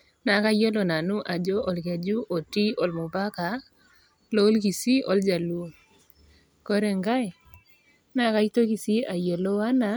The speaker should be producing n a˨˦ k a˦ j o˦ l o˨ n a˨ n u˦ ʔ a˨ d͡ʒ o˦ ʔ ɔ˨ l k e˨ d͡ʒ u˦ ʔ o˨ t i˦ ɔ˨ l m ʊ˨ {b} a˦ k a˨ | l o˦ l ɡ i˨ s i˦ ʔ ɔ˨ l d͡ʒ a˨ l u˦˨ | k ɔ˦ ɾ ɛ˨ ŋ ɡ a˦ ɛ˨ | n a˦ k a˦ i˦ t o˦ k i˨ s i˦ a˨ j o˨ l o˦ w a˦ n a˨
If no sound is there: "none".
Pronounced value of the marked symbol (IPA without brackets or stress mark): b